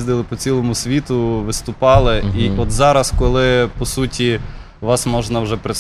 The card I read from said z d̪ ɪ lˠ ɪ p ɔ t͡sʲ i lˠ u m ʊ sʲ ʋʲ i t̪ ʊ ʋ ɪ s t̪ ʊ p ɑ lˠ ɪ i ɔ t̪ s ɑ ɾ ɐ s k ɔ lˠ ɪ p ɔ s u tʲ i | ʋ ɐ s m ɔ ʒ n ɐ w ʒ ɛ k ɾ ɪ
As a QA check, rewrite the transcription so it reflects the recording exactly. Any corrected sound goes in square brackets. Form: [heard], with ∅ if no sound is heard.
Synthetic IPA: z d̪ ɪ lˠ ɪ p ɔ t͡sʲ i lˠ [ɔ] m ʊ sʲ ʋʲ i t̪ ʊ ʋ ɪ s t̪ ʊ p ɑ lˠ ɪ i ɔ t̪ [z] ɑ ɾ ɐ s k ɔ lˠ ɪ p ɔ s u tʲ i | ʋ [ɑ] s m ɔ ʒ n ɐ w ʒ ɛ [p] ɾ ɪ